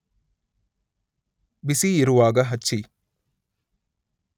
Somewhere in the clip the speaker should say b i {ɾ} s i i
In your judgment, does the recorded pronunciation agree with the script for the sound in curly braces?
no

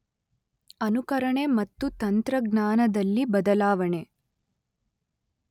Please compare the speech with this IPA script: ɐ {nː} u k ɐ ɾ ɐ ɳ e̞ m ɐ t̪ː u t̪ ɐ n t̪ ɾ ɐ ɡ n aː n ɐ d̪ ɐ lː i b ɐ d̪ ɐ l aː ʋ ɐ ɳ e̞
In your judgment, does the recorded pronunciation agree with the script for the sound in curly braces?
no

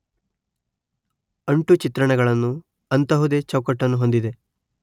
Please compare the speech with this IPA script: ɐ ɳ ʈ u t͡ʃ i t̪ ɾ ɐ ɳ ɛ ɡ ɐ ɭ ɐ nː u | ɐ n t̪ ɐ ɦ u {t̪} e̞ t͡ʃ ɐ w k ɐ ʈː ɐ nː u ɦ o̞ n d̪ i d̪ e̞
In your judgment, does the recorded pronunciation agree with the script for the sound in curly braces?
no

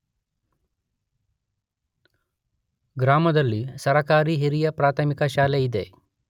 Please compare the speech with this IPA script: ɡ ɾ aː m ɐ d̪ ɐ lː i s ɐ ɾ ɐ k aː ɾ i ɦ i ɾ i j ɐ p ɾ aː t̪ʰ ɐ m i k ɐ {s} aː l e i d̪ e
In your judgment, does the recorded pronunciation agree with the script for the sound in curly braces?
no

